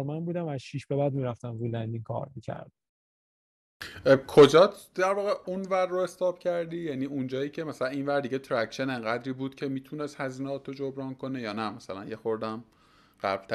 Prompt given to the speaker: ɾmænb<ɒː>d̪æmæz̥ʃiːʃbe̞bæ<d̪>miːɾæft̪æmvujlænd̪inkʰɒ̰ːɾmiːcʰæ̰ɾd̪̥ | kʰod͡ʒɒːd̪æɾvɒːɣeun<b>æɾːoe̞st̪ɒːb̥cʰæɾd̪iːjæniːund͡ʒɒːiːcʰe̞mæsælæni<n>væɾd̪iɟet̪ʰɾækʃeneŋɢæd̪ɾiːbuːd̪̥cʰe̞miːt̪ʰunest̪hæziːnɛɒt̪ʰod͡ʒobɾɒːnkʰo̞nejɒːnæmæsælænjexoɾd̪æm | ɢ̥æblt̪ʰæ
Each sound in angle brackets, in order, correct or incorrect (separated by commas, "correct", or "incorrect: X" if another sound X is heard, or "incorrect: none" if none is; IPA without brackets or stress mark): incorrect: uː, correct, incorrect: v, correct